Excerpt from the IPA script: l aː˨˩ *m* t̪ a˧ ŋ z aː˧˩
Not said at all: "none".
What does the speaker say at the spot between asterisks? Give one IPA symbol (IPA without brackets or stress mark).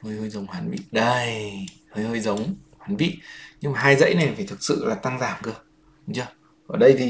none